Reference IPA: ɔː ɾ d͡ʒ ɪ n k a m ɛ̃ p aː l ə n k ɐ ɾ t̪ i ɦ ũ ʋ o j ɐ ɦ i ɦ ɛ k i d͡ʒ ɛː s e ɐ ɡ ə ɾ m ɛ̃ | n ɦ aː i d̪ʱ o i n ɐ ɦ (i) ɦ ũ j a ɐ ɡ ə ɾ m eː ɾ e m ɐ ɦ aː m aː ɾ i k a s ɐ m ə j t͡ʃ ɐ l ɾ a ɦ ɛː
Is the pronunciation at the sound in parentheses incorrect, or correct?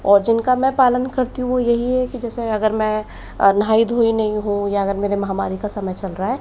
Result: incorrect